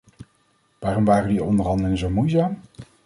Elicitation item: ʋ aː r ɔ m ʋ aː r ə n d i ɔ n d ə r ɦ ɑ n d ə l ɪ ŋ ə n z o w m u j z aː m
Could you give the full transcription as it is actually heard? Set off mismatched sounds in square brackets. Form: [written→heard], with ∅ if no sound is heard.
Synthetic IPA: ʋ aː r ɔ m ʋ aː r ə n d i ɔ n d ə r ɦ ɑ n d ə l ɪ ŋ ə n z o w m u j z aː m